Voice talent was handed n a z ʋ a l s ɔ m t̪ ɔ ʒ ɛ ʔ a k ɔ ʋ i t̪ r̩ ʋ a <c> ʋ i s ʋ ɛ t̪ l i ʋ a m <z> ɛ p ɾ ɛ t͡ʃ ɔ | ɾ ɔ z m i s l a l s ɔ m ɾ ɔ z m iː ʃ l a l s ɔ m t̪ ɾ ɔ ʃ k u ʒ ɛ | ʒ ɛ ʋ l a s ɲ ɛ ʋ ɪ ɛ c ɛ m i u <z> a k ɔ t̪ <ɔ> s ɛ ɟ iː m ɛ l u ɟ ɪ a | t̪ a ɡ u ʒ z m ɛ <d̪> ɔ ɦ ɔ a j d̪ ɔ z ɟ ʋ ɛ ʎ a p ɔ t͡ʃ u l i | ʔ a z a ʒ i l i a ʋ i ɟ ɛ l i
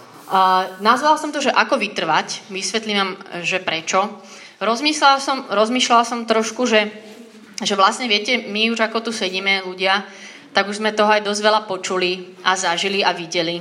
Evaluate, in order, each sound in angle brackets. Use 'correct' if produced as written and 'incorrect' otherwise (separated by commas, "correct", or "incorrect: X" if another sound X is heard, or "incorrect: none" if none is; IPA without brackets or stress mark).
correct, incorrect: ʒ, incorrect: ʒ, incorrect: u, incorrect: t̪